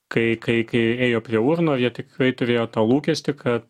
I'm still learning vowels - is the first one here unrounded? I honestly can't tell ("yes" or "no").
yes